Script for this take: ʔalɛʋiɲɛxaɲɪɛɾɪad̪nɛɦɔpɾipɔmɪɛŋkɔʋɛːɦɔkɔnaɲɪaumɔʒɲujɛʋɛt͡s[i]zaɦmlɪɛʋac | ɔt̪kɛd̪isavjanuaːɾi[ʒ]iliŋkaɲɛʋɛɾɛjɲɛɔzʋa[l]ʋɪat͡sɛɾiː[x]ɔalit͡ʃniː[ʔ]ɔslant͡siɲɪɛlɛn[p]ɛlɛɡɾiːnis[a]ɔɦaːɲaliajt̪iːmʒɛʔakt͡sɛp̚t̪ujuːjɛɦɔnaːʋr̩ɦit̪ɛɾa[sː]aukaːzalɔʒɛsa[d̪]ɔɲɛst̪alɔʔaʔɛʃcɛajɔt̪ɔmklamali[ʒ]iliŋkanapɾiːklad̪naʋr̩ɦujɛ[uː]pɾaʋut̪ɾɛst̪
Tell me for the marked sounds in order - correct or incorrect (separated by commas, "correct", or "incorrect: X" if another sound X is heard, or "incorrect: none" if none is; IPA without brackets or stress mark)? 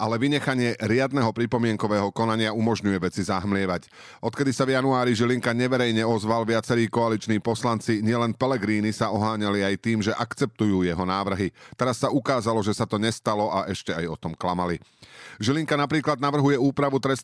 correct, correct, correct, incorrect: k, incorrect: p, correct, correct, correct, incorrect: t̪, correct, correct